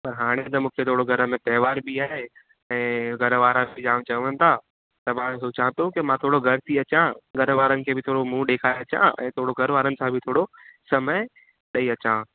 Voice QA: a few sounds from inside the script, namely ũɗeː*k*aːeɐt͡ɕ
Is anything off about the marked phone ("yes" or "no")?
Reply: yes